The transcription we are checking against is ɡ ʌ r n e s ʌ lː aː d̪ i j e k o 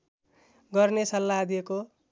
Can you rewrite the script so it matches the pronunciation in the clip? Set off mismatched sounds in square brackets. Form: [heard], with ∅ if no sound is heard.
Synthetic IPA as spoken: ɡ ʌ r n e s ʌ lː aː d̪ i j e k o